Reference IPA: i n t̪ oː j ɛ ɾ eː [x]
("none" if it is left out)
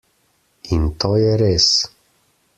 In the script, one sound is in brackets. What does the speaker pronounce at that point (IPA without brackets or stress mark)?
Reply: s